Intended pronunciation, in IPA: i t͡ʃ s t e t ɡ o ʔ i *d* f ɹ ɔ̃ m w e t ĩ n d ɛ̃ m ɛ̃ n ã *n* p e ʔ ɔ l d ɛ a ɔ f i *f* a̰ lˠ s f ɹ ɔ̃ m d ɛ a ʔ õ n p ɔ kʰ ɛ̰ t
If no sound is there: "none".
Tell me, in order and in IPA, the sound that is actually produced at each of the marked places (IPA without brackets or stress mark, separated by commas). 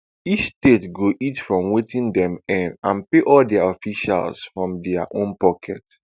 t, n, ʃ